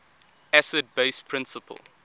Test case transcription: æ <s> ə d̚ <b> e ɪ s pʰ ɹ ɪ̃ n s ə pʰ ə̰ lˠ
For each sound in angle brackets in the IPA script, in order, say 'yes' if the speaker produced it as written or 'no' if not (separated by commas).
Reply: yes, yes